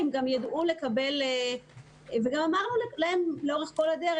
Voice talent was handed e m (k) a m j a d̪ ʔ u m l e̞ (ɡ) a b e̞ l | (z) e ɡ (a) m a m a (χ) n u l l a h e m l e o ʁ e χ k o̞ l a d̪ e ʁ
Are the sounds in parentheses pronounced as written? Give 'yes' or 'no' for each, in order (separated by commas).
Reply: no, no, no, yes, no